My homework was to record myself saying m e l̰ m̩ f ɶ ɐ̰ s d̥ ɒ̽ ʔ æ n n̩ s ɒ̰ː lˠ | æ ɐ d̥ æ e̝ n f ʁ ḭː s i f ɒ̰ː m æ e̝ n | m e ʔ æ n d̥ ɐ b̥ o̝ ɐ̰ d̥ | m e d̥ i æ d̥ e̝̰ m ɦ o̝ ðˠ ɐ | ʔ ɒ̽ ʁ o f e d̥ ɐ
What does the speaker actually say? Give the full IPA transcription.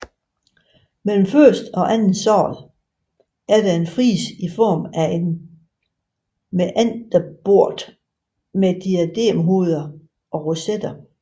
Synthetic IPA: m e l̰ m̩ f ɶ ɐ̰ s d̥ ɒ̽ ʔ æ n n̩ s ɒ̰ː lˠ | æ ɐ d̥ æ e̝ n f ʁ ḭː s i f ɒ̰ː m æ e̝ n | m e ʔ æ n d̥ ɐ b̥ o̝ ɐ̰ d̥ | m e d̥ i æ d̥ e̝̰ m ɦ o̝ ðˠ ɐ | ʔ ɒ̽ ʁ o s e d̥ ɐ